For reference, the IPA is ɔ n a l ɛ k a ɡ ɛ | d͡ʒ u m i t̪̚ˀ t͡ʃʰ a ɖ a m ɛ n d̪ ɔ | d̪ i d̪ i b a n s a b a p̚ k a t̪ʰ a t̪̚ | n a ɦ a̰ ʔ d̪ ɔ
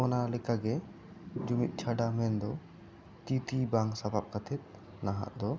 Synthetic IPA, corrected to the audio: ɔ n a l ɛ k a ɡ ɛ | d͡ʒ u m i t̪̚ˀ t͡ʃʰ a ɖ a m ɛ n d̪ ɔ | t̪ i t̪ i b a ŋ s a b a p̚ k a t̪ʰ ɛ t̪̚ | n a ɦ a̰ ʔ d̪ ɔ